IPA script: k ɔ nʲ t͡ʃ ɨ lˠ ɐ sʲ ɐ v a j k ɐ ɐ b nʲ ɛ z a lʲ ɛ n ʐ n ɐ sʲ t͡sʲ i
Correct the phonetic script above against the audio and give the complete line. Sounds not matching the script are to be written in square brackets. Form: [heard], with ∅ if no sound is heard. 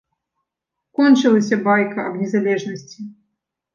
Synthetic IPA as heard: k ɔ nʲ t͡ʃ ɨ lˠ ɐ sʲ ɐ [b] a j k ɐ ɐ b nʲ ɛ z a lʲ ɛ [∅] ʐ n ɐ sʲ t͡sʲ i